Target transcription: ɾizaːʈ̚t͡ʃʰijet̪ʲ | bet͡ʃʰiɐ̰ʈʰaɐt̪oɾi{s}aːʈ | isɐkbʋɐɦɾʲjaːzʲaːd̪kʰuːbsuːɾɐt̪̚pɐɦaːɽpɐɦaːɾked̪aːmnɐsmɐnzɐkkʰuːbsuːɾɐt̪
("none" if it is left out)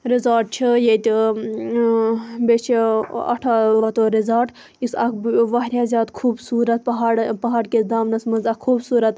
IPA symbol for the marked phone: z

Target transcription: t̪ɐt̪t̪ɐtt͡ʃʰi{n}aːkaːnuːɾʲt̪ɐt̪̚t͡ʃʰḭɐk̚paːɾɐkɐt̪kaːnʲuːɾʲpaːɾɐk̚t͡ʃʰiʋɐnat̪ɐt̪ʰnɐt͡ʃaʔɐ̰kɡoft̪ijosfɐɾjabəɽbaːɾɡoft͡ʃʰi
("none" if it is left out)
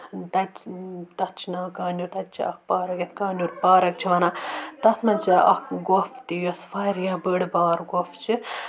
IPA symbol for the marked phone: n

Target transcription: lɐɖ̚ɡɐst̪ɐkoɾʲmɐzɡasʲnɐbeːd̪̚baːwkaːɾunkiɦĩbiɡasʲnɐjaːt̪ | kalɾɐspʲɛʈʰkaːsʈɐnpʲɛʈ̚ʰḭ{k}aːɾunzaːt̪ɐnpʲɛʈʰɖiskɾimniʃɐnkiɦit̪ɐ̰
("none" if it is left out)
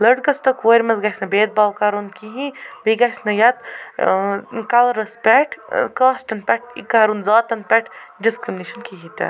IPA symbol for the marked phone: k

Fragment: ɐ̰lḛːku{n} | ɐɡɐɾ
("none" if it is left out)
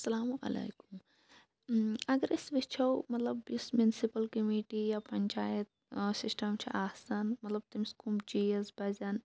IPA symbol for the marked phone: m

